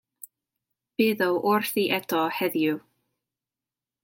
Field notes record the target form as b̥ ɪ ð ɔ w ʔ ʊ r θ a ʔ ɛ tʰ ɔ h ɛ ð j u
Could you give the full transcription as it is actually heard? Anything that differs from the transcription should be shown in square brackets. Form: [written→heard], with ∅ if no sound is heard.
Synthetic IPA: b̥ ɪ ð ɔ w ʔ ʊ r θ [a→i] ʔ ɛ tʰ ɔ h ɛ ð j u